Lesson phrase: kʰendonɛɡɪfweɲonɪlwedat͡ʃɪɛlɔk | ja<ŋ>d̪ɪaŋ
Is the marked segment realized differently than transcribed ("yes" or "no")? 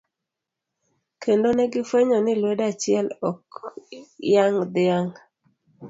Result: no